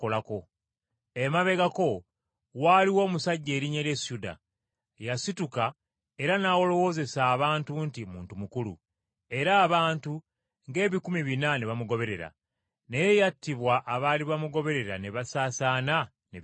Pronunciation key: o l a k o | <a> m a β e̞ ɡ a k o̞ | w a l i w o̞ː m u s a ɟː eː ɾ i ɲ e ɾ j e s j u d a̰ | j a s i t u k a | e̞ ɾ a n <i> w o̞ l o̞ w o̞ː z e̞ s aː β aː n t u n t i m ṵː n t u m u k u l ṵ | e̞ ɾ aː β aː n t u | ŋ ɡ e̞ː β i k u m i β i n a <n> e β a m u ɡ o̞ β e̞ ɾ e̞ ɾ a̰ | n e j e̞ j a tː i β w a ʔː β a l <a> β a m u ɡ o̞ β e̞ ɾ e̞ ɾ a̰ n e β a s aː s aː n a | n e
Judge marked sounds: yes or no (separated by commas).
no, no, yes, no